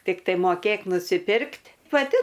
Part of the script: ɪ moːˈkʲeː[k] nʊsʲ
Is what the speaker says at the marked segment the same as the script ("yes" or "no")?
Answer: yes